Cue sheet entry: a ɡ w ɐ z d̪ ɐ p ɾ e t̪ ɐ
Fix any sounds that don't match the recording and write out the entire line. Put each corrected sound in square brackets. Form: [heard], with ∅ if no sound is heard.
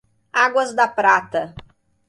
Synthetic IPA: a ɡ w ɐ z d̪ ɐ p ɾ [a] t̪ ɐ